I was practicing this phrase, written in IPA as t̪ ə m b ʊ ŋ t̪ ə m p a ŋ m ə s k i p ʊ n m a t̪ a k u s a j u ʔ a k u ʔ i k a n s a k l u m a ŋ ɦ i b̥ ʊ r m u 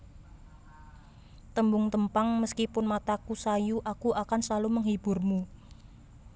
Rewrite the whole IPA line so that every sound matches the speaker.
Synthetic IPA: t̪ ə m b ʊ ŋ t̪ ə m p a ŋ m ə s k i p ʊ n m a t̪ a k u s a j u ʔ a k u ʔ a k a n s a l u m ə ŋ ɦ i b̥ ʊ r m u

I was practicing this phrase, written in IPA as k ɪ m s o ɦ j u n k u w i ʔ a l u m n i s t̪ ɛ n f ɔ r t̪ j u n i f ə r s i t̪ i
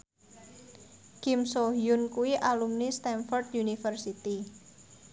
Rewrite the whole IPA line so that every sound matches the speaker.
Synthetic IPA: k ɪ m s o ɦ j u n k u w i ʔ a l u m n i s t̪ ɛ n f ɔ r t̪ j u n i f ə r s i t̪ i

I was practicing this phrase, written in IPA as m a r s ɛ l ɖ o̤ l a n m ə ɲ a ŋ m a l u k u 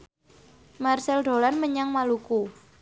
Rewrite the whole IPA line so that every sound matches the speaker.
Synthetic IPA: m a r s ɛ l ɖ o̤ l a n m ə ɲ a ŋ m a l u k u

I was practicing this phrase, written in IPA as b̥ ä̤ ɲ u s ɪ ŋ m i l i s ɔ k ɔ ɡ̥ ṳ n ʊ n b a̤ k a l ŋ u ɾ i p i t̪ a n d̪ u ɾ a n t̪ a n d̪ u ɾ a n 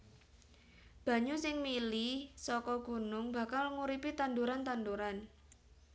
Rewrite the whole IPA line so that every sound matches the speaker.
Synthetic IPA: b̥ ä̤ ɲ u s ɪ ŋ m i l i s ɔ k ɔ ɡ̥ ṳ n ʊ ŋ b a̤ k a l ŋ u ɾ i p i t̪ a n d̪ u ɾ a n t̪ a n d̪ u ɾ a n

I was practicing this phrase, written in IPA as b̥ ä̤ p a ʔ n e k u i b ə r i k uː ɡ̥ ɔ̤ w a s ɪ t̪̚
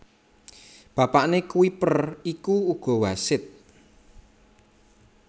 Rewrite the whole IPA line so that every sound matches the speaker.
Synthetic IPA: b̥ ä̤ p a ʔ n e k u i p ə r i k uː ɡ̥ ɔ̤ w a s ɪ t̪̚

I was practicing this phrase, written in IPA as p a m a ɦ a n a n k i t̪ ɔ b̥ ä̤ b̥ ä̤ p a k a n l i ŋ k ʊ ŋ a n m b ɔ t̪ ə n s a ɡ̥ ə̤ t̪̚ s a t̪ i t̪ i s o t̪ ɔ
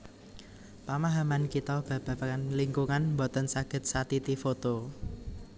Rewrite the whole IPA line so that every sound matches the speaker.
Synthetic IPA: p a m a ɦ a m a n k i t̪ ɔ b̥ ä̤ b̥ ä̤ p a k a n l i ŋ k u ŋ a n m b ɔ t̪ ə n s a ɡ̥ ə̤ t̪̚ s a t̪ i t̪ i f o t̪ o

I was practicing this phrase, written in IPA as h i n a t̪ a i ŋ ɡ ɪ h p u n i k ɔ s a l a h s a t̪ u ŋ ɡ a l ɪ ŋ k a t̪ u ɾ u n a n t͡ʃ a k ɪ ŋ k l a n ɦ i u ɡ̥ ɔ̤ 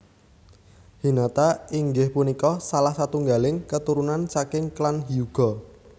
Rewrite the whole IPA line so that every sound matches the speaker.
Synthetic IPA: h i n a t̪ a i ŋ ɡ ɪ h p u n i k ɔ s a l a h s a t̪ u ŋ ɡ a l ɪ ŋ k ə t̪ u ɾ u n a n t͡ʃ a k ɪ ŋ k l a n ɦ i u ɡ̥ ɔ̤

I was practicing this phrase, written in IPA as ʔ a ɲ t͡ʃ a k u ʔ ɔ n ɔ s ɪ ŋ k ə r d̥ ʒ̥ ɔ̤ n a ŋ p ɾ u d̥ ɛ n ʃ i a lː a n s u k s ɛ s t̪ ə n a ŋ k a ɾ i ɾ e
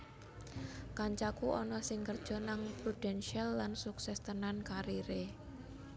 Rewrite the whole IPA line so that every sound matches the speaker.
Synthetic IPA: k a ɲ t͡ʃ a k u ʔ ɔ n ɔ s ɪ ŋ k ə r d̥ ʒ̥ ɔ̤ n a ŋ p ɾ u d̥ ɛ n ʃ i a lː a n s u k s ɛ s t̪ ə n a n k a ɾ i ɾ e

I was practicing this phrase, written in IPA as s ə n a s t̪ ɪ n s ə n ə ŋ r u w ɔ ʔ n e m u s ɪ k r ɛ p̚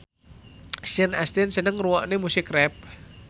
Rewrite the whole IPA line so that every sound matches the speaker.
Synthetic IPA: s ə n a s t̪ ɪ n s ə n ə ŋ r u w ɔ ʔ n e m u s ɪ k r ɛ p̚

